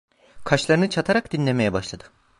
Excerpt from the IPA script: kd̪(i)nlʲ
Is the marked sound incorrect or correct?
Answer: correct